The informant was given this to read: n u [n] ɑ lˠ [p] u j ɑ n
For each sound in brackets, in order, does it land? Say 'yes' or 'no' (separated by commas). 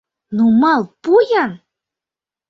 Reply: no, yes